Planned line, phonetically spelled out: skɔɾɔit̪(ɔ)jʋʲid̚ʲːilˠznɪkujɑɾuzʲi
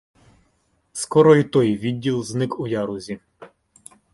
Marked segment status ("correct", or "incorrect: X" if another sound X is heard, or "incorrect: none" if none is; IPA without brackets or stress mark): correct